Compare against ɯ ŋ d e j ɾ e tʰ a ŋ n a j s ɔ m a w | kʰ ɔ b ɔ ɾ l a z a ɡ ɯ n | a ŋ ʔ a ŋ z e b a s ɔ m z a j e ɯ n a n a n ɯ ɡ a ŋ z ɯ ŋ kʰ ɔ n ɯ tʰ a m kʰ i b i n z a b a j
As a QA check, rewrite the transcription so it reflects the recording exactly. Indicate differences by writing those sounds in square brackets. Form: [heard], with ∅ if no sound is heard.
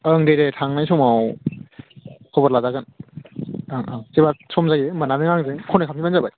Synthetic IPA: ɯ ŋ d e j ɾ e tʰ a ŋ n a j s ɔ m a w | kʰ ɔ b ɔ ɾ l a z a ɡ ɯ n | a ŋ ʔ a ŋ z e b a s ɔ m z a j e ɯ [m] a n a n ɯ [ŋ] a ŋ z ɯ ŋ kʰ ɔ n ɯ [kʰ] a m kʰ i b [a] n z a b a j